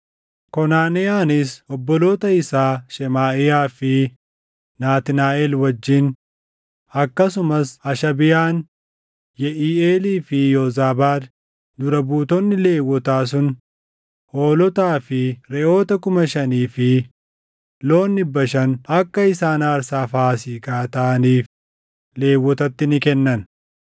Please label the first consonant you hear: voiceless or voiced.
voiceless